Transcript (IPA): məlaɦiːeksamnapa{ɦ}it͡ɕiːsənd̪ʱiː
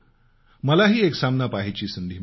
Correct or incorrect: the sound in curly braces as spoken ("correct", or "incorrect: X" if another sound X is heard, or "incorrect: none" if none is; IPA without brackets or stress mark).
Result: correct